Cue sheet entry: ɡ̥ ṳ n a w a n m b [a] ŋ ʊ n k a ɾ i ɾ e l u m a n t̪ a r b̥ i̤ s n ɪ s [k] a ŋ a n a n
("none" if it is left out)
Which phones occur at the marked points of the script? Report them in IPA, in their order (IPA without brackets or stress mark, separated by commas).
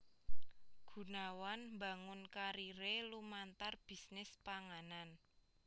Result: a, p